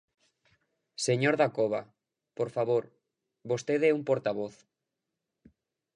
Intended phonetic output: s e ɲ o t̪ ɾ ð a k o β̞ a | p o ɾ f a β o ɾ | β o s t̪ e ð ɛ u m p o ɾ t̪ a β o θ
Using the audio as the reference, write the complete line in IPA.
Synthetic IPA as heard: s e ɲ o ɾ ð a k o β̞ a | p o ɾ f a β o ɾ | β o s t̪ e ð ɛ u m p o ɾ t̪ a β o θ